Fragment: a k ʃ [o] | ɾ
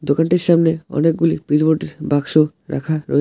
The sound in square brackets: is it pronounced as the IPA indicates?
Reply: yes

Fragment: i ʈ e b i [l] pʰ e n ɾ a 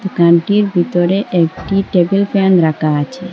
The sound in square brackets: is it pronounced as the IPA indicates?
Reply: yes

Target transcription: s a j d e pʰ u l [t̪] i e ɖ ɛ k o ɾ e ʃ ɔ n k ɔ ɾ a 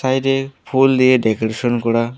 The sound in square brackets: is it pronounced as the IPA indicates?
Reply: no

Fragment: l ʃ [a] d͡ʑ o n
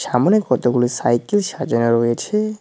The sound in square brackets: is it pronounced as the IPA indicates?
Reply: yes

